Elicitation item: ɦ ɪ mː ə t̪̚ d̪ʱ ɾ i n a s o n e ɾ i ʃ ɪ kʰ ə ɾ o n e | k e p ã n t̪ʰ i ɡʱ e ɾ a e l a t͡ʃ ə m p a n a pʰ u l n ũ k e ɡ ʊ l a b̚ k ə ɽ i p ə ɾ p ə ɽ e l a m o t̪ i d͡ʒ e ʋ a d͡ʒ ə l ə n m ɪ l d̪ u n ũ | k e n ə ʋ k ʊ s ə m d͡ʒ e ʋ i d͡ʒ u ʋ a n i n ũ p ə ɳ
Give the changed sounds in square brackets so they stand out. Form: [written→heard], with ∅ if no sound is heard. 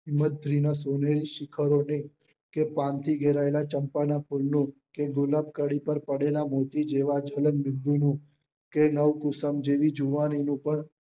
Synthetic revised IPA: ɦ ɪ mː ə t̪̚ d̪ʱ ɾ i n a s o n e ɾ i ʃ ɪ kʰ ə ɾ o n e | k e p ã n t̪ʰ i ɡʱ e ɾ a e l a t͡ʃ ə m p a n a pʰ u l n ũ k e ɡ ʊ l a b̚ k ə ɽ i p ə ɾ p ə ɽ e l a m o t̪ i d͡ʒ e ʋ a d͡ʒ ə l ə n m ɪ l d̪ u n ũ | k e n ə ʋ k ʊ s ə m d͡ʒ e ʋ i d͡ʒ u ʋ a n i n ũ p ə ɳ